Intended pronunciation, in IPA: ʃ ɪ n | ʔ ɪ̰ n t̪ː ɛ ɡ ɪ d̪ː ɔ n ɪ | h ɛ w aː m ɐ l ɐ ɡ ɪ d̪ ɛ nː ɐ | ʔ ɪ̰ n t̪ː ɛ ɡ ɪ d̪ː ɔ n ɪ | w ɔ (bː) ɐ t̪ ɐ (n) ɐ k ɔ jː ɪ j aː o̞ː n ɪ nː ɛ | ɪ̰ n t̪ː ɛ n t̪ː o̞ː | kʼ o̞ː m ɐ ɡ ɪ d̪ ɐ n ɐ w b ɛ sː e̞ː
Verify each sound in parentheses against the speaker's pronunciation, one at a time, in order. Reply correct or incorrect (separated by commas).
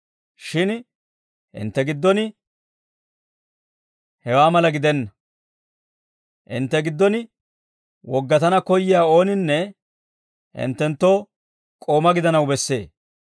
incorrect, correct